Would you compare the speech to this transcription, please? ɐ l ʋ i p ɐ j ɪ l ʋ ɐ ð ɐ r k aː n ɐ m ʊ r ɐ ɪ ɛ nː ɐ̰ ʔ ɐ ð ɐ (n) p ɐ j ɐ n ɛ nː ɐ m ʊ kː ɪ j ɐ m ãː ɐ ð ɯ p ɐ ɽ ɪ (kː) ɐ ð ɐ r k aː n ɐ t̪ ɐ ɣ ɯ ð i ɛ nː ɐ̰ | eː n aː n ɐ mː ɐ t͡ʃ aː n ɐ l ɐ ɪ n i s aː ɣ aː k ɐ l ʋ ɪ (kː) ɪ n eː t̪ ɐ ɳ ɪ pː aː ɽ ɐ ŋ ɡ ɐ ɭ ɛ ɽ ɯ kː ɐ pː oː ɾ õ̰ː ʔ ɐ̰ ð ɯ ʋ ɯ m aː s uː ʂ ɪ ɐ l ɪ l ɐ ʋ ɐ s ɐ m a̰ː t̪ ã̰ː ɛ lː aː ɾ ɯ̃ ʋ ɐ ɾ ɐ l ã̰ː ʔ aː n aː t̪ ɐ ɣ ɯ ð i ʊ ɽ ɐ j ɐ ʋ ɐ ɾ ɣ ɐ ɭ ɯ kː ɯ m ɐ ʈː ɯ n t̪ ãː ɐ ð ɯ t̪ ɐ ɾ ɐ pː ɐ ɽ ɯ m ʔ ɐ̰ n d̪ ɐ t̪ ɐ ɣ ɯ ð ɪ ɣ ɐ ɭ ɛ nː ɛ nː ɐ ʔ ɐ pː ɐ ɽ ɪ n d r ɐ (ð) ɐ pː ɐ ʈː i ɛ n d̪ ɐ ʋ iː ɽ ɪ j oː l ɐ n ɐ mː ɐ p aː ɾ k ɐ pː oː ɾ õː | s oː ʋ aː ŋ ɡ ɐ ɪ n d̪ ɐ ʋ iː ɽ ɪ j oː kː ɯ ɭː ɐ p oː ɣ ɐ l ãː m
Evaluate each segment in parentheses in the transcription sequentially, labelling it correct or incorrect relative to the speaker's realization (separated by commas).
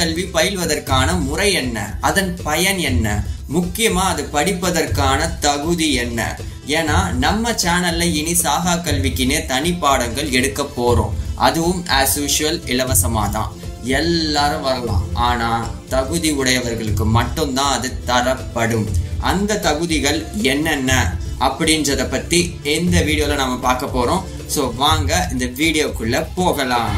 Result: correct, incorrect, correct, correct